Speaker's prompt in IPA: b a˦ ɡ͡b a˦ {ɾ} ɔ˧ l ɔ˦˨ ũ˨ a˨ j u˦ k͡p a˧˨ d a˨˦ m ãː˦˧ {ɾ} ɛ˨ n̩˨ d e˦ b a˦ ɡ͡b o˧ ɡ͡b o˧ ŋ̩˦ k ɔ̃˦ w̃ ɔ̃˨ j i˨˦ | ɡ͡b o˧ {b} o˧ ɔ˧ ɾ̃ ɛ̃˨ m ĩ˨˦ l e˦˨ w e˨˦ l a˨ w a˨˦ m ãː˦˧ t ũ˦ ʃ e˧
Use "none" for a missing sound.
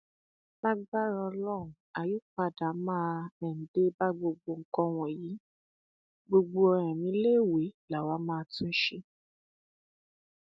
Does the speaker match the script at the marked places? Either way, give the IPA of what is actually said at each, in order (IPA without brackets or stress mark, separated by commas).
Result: ɾ, none, ɡ͡b